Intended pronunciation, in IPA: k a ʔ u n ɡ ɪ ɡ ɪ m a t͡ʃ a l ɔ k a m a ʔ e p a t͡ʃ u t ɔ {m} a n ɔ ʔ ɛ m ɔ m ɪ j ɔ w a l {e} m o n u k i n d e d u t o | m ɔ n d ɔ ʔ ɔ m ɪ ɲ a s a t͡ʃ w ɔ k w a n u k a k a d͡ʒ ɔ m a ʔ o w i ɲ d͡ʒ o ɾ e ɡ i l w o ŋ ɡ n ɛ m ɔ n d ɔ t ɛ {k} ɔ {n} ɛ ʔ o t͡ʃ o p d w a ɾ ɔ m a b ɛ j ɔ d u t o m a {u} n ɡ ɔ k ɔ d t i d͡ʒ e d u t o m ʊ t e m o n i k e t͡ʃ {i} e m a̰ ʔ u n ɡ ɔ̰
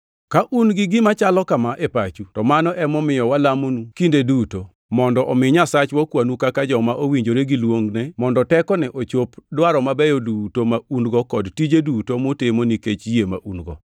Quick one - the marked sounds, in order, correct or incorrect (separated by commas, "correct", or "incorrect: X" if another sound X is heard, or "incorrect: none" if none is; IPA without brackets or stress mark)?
correct, incorrect: a, correct, correct, correct, incorrect: j